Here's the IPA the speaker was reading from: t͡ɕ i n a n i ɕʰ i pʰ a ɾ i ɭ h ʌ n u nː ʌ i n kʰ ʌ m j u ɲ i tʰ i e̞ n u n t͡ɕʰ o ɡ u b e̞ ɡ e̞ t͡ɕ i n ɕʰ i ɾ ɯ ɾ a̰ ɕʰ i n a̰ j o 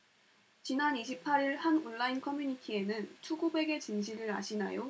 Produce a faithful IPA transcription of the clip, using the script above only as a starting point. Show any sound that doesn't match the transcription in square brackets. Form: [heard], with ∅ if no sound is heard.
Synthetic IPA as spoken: t͡ɕ i n a n i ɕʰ i pʰ a ɾ i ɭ h [a] n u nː [a] i n kʰ ʌ m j u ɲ i tʰ i e̞ n [ɯ] n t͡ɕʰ [u] ɡ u b e̞ ɡ e̞ t͡ɕ i n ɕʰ i ɾ ɯ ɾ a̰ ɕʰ i n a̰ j o